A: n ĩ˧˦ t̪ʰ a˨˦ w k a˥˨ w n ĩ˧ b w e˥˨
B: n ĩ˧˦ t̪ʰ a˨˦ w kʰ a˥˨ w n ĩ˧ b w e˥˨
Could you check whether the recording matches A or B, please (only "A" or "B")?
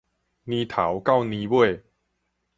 A